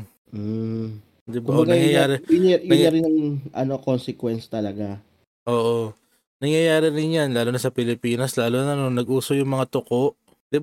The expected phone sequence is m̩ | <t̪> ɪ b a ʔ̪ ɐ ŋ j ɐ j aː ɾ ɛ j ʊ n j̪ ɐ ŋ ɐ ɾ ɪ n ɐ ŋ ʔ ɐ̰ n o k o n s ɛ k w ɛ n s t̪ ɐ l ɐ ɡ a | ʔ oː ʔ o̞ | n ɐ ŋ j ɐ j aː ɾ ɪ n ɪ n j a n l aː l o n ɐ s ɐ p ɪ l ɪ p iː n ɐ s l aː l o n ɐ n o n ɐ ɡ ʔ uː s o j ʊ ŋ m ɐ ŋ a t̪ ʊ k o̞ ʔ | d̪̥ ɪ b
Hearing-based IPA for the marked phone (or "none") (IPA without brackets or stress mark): d̪